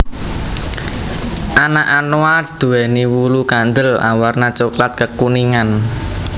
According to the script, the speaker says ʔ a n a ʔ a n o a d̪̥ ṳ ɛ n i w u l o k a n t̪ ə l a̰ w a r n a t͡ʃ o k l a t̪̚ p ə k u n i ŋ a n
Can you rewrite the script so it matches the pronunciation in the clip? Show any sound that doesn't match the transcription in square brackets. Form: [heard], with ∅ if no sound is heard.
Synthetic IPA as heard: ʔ a n a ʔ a n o a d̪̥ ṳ ɛ n i w u l [u] k a n [d̪] ə l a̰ w a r n a t͡ʃ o k l a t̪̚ [k] ə k u n i ŋ a n